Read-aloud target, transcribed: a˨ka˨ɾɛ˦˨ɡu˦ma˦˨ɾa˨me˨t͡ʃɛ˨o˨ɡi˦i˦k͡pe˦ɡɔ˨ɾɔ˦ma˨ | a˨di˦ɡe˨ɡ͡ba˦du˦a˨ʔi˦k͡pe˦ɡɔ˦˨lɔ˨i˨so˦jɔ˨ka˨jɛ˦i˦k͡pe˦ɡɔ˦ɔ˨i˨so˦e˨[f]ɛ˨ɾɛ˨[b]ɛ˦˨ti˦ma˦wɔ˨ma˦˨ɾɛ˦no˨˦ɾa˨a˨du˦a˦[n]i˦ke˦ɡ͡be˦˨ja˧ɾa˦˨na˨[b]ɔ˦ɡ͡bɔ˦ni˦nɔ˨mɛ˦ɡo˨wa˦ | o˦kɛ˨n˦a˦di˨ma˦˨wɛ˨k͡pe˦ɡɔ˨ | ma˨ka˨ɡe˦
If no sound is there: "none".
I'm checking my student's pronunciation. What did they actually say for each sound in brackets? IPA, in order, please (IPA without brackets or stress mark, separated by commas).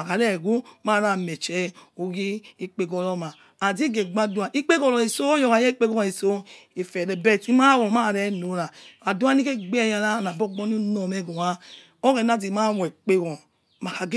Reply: f, b, n, b